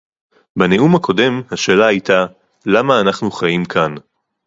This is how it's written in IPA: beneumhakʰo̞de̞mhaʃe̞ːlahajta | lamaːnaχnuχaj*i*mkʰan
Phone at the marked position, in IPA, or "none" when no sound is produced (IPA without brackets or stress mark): i